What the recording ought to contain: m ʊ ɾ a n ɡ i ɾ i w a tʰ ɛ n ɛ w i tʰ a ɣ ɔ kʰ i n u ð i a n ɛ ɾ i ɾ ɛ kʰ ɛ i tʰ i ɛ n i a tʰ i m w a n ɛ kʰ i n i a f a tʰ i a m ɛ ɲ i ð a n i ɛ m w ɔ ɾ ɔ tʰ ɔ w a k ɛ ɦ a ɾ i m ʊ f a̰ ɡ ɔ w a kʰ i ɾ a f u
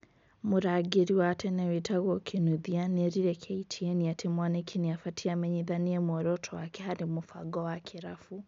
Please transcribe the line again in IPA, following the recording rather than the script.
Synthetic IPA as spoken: m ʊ ɾ a ɡ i ɾ i w a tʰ ɛ n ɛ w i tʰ a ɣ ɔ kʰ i n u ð i a n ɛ ɾ i ɾ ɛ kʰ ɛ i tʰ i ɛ n i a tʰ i m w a n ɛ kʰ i n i a f a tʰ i a m ɛ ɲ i ð a n i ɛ m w ɔ ɾ ɔ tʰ ɔ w a k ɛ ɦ a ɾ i m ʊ f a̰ ɡ ɔ w a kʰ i ɾ a f u